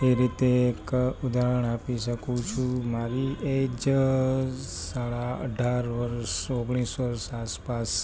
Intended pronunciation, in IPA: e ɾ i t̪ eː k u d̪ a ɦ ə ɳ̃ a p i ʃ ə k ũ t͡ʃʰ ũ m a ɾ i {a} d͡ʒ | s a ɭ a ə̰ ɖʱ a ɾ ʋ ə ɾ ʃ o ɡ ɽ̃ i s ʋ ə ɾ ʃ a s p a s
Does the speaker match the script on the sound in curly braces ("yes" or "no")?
no